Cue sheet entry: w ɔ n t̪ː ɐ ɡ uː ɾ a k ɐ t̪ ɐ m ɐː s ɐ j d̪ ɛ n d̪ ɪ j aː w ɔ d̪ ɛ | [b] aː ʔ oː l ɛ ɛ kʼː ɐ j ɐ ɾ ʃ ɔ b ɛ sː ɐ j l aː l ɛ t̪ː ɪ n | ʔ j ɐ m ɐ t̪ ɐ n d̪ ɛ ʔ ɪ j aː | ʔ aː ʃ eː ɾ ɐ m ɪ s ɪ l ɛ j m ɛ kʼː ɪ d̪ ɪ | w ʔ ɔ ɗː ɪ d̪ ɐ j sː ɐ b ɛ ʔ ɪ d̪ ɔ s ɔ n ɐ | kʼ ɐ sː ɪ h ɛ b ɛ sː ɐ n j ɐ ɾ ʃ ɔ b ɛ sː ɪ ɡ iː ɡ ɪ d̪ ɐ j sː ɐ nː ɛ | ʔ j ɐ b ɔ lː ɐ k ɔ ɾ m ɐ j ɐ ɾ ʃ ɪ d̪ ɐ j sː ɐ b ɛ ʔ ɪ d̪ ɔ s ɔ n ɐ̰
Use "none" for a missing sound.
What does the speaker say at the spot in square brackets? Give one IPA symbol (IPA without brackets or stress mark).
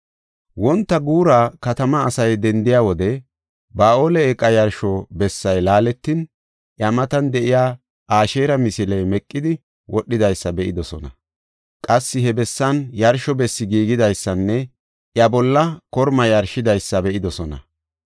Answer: b